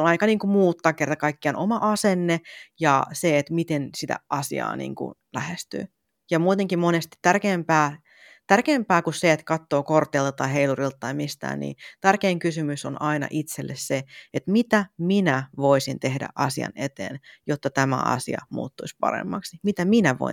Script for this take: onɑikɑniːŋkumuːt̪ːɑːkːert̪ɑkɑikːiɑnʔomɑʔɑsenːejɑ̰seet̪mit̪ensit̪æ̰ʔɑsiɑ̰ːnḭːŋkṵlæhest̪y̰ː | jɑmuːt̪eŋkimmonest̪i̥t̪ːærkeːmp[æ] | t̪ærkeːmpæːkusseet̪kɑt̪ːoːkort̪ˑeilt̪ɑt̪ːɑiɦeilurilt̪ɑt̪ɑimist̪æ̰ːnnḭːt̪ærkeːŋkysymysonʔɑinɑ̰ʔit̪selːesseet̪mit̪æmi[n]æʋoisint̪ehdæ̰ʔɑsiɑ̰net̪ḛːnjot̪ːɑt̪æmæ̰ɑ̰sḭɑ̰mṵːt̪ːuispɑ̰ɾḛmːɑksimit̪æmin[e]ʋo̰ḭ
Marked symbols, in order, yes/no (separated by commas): no, yes, no